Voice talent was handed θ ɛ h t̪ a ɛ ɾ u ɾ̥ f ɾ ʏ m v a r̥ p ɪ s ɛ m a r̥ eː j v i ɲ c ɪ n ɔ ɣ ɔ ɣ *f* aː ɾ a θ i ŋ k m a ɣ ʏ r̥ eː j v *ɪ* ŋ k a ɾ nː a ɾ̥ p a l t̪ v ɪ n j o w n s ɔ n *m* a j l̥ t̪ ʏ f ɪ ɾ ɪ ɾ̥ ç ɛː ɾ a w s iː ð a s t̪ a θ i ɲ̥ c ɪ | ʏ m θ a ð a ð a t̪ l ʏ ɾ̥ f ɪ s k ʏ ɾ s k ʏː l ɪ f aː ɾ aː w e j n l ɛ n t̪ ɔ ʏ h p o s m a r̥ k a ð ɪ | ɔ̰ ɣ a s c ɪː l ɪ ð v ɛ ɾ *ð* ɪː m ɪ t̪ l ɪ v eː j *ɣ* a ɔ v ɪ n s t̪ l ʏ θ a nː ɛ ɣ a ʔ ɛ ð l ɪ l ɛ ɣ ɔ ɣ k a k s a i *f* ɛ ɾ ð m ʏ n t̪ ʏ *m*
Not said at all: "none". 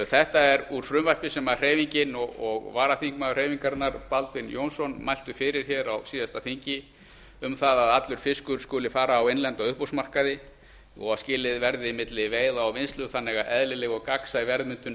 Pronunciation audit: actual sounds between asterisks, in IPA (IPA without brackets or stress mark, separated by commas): v, i, m, ð, ð, v, n